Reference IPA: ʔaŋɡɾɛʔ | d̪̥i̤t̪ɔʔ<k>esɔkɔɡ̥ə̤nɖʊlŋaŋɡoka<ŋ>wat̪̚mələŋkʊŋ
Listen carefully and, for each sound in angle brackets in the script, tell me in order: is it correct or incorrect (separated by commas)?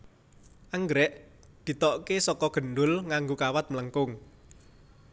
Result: correct, incorrect